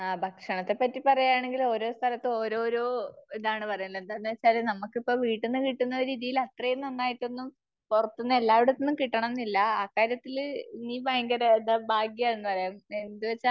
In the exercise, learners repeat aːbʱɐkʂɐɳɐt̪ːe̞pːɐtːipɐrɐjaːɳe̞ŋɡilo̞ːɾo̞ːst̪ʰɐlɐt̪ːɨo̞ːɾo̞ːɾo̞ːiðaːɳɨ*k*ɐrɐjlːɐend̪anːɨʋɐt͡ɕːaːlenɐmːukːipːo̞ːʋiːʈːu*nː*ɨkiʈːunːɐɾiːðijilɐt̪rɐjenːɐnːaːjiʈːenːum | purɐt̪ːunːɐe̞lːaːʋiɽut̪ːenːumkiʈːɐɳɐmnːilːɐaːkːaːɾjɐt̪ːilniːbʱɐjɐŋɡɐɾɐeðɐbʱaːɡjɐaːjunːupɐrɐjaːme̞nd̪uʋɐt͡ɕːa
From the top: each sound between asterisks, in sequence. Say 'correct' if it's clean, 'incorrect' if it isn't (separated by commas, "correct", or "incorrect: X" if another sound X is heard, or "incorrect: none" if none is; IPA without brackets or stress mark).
incorrect: p, correct